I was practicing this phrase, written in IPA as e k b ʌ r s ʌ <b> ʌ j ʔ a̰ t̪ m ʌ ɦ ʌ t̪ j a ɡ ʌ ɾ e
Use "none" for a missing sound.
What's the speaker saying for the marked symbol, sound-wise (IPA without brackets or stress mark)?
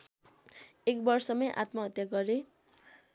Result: m